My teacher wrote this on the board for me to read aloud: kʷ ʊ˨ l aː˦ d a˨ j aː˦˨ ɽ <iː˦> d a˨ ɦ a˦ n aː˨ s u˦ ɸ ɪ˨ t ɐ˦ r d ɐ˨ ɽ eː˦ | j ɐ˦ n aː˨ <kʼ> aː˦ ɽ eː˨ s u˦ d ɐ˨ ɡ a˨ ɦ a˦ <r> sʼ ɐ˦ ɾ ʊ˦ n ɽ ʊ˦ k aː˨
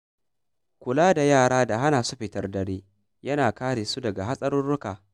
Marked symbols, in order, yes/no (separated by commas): no, no, no